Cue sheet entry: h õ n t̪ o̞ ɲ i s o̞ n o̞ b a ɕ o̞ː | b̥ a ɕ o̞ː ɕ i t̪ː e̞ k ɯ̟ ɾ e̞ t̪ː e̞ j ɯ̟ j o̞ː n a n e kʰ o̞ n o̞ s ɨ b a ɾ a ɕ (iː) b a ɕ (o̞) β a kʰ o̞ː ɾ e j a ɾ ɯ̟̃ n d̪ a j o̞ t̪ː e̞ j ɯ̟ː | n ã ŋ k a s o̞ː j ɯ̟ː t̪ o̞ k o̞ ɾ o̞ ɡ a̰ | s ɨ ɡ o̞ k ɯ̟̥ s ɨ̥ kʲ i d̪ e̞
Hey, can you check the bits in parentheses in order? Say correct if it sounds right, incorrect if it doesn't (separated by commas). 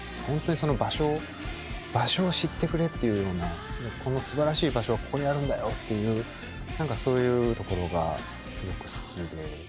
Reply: correct, correct